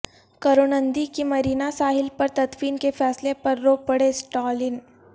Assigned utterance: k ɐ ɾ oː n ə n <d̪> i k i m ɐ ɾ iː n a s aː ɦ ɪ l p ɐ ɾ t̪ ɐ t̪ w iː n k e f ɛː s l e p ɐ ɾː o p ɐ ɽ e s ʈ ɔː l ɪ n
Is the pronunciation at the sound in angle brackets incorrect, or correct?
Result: correct